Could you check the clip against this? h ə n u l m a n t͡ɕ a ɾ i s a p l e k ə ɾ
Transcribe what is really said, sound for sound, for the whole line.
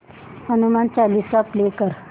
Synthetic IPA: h ə n u m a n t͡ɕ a l i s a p l e k ə ɾ